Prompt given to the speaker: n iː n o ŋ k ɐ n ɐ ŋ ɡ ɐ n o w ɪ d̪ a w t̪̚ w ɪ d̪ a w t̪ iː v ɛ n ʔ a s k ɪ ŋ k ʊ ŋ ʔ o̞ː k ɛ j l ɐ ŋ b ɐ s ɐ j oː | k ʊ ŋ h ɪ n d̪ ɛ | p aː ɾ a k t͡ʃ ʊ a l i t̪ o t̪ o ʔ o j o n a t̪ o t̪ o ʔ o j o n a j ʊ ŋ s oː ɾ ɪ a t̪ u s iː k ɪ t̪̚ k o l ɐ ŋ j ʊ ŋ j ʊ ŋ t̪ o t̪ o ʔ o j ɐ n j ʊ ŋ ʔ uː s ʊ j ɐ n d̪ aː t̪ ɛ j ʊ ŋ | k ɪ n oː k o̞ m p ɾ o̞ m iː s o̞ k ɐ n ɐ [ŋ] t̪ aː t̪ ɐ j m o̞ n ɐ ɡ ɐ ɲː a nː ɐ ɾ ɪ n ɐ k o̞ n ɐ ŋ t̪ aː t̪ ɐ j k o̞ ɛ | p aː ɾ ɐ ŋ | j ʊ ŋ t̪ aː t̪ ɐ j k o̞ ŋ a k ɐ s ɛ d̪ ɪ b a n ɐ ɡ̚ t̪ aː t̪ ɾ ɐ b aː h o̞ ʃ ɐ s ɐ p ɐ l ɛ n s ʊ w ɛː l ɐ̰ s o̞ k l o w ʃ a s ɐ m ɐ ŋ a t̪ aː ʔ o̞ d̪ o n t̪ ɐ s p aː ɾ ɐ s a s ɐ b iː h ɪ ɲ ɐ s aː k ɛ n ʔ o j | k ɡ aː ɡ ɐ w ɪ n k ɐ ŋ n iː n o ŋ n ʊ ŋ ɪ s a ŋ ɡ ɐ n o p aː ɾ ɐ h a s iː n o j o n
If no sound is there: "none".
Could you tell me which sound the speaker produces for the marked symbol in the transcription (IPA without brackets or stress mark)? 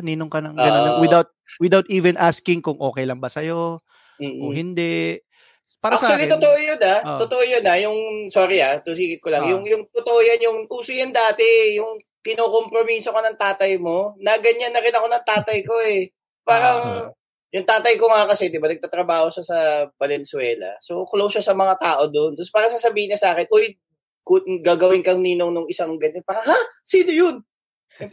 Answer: ŋ